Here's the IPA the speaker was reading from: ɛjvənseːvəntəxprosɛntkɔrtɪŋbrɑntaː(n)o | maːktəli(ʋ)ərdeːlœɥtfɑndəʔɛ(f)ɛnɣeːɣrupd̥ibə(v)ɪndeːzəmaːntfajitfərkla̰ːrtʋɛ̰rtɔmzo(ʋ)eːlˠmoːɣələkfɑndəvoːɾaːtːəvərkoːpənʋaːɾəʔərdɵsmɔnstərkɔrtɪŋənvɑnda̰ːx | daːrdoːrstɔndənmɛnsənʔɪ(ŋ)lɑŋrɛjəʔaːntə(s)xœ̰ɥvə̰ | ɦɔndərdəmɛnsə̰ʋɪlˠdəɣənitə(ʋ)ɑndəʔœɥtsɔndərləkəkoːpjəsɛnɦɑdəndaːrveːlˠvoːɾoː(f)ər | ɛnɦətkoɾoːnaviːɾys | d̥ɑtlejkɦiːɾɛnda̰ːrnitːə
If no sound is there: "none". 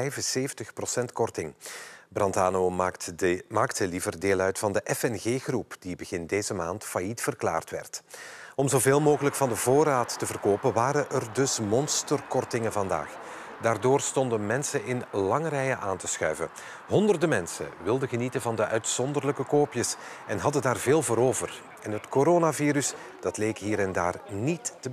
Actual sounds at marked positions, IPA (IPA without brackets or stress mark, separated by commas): n, v, f, ɣ, v, n, s, v, v